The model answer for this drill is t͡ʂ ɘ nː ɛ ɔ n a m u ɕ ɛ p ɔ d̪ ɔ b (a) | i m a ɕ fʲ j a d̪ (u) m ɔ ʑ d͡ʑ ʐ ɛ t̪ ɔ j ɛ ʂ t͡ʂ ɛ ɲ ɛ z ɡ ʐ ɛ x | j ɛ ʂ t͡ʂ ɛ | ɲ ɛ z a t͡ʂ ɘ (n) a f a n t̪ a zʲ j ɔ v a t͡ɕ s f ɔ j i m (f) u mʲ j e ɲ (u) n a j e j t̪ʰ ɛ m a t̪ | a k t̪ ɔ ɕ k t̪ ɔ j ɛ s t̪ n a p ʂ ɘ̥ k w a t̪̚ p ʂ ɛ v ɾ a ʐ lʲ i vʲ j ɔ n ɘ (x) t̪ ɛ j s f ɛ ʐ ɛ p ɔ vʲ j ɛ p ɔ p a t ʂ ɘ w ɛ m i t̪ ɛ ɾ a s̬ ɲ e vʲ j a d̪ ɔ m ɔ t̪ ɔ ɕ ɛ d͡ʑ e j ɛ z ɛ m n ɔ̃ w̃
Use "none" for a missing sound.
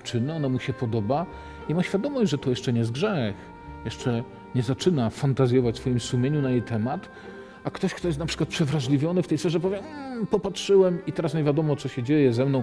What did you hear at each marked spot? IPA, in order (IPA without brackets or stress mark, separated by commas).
a, ɔ, n, s, u, f